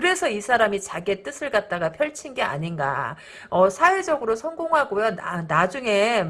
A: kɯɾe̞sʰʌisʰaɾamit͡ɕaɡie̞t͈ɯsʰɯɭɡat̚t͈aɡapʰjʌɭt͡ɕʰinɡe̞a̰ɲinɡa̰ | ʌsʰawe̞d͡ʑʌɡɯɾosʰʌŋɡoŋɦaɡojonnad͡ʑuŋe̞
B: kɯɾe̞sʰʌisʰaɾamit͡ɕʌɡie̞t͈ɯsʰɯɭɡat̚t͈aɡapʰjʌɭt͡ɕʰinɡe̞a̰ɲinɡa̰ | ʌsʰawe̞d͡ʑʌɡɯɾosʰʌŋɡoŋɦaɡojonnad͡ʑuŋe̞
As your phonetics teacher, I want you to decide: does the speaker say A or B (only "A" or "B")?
A